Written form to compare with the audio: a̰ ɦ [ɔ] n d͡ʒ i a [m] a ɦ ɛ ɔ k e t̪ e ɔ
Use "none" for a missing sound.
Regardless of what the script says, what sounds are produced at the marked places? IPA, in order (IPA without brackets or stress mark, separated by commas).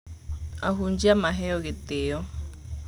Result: u, m